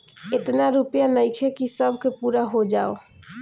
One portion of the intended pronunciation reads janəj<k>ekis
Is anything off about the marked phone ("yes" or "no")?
yes